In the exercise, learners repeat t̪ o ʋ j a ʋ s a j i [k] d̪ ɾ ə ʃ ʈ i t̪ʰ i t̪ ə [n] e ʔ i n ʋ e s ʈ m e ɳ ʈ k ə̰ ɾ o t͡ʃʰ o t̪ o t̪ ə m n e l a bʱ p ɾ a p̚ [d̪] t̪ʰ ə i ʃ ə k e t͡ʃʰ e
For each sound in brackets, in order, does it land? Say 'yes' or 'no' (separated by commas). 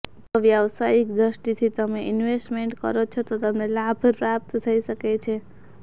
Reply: yes, no, no